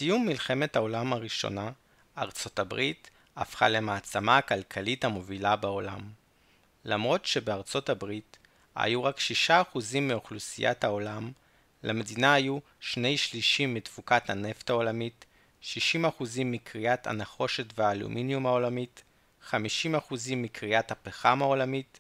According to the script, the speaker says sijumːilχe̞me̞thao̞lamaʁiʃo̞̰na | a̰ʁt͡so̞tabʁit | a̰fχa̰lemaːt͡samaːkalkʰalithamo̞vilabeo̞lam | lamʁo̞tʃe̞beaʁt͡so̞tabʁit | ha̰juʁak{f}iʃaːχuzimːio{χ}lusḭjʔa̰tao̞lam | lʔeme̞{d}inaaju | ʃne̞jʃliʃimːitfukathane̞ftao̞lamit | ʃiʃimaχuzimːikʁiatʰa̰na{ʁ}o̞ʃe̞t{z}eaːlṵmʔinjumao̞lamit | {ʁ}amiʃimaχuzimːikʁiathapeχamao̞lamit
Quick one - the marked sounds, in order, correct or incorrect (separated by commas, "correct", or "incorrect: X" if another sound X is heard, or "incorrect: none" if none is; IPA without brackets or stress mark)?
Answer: incorrect: ʃ, correct, correct, incorrect: χ, incorrect: v, incorrect: χ